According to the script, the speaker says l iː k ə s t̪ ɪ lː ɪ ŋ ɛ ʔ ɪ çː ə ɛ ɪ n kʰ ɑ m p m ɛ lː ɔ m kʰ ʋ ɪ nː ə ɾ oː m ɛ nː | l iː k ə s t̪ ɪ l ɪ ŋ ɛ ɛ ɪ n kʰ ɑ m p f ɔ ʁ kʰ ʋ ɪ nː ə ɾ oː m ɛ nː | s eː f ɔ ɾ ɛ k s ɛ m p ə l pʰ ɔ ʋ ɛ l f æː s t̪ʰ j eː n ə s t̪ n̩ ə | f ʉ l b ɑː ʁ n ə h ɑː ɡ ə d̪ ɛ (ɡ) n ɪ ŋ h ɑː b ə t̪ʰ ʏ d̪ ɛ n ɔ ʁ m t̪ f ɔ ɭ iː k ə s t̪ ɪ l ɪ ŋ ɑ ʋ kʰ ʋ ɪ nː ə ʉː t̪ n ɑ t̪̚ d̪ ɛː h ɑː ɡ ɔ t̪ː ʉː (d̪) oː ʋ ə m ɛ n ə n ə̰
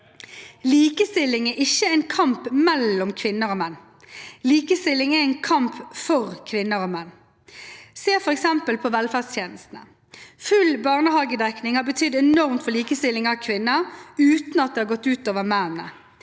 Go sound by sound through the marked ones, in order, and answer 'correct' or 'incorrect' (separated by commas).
incorrect, incorrect